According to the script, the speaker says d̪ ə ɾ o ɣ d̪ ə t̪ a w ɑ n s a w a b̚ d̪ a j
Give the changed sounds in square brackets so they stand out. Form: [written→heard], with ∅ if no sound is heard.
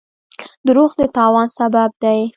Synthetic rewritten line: d̪ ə ɾ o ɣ d̪ ə t̪ [a→ɑ] w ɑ n s a [w→b] a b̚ d̪ a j